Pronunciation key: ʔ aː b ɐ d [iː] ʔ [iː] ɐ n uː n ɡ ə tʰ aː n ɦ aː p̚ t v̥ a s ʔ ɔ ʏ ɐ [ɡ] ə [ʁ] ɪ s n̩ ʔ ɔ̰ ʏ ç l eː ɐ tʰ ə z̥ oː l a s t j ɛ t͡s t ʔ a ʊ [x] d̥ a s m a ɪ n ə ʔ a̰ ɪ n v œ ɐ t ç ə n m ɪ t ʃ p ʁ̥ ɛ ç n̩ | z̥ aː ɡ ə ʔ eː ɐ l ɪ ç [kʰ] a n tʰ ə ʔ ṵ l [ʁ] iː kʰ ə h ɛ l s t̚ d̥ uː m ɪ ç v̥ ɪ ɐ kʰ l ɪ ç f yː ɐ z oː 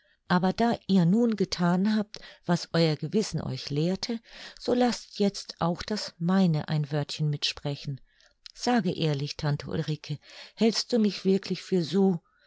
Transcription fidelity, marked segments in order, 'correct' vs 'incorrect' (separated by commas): incorrect, correct, correct, incorrect, correct, incorrect, correct